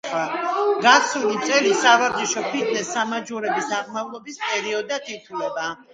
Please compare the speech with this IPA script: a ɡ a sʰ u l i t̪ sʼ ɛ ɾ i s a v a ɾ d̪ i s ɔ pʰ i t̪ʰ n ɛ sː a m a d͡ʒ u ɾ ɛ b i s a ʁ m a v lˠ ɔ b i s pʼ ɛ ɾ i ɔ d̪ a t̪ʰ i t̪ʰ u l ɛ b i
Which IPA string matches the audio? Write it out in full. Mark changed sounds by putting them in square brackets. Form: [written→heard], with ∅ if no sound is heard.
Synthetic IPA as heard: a ɡ a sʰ u l i t̪ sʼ ɛ [ɾ→l] i s a v a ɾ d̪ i [s→ʃ] ɔ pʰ i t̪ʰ n ɛ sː a m a d͡ʒ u ɾ ɛ b i s a ʁ m a v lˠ ɔ b i s pʼ ɛ ɾ i ɔ d̪ a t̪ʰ i t̪ʰ u l ɛ b [i→a]